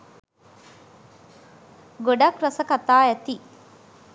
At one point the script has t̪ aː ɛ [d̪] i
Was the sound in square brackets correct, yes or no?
no